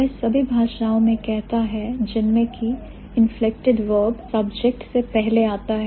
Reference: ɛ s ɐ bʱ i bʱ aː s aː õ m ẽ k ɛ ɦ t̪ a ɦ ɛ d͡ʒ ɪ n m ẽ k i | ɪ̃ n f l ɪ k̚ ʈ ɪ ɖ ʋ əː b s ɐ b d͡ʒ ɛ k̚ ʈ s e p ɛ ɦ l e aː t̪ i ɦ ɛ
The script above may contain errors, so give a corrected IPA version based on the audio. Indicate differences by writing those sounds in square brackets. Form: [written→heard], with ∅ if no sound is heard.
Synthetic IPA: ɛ s ɐ bʱ i bʱ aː [s→ʃ] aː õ m ẽ k ɛ ɦ t̪ a ɦ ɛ d͡ʒ ɪ n m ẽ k i | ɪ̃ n f l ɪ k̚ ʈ ɪ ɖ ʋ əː b s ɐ b d͡ʒ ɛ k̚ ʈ s e p ɛ ɦ l e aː t̪ [i→a] ɦ ɛ